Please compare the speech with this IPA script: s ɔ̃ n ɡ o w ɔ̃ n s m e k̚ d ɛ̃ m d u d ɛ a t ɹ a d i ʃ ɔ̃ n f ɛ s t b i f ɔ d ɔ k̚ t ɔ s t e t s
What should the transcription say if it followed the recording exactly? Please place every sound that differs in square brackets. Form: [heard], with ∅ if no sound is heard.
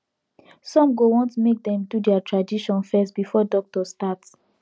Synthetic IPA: s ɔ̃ [m] ɡ o w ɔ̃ n [t] m e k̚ d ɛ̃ m d u d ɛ a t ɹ a d i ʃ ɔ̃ n f ɛ s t b i f ɔ d ɔ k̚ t ɔ s t [a] t s